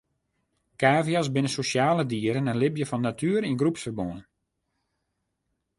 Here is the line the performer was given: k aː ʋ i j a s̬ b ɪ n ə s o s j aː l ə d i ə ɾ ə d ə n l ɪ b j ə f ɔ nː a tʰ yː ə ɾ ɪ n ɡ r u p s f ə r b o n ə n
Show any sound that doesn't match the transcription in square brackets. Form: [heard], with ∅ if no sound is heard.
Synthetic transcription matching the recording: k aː [v] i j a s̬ b ɪ n ə s o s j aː l ə d i ə ɾ ə [n] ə n l ɪ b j ə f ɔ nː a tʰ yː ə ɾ [i] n ɡ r u p s f ə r b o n ə n